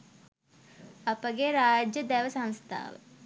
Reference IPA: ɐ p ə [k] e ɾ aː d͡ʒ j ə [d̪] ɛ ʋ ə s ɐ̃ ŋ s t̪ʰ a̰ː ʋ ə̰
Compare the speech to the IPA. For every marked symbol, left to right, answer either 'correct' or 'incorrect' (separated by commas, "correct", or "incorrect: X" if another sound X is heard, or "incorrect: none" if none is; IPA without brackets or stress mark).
incorrect: ɡ, correct